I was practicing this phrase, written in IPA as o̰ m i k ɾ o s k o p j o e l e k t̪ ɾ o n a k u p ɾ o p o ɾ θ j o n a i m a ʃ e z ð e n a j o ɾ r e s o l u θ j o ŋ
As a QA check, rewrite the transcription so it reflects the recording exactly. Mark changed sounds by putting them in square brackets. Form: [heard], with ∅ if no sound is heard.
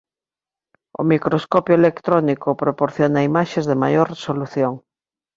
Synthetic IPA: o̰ m i k ɾ o s k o p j o e l e k t̪ ɾ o n [i] k [o] p ɾ o p o ɾ θ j o n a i m a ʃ e z ð e [m] a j o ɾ r e s o l u θ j o ŋ